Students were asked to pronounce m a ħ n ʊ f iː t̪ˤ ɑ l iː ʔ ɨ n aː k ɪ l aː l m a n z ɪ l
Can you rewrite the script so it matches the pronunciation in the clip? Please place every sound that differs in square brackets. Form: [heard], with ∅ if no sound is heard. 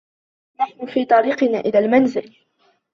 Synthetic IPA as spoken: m a ħ n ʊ f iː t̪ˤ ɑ [ɾ] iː [q] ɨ n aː [ʔ] ɪ l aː l m a n z ɪ l